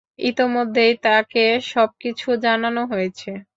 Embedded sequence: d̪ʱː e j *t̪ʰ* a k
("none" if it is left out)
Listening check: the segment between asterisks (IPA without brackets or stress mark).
t̪